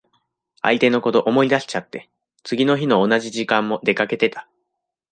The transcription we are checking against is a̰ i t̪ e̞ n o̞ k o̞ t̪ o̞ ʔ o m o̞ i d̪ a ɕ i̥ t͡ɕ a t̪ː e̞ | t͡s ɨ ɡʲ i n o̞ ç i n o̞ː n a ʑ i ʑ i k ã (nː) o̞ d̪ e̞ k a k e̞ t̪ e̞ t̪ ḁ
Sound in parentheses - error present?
yes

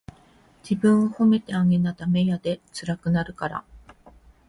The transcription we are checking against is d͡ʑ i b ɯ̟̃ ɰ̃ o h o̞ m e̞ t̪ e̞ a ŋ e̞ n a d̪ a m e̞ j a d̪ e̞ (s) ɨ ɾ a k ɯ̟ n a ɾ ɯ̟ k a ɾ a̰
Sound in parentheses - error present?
yes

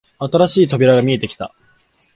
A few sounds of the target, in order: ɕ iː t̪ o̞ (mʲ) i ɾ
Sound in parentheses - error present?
yes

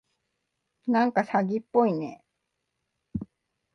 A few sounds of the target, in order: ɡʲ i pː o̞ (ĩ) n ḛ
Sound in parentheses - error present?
yes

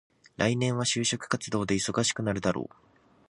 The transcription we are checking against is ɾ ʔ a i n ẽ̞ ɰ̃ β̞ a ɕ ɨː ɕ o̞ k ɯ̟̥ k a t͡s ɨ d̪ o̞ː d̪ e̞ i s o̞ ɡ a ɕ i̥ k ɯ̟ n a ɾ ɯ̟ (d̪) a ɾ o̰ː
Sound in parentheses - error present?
no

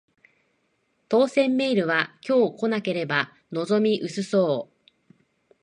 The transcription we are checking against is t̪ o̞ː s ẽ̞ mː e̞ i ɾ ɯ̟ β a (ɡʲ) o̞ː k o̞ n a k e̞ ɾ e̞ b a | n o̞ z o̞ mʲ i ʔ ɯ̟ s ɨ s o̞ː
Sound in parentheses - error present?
yes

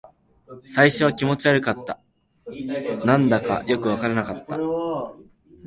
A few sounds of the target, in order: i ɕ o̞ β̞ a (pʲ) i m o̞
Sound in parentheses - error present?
yes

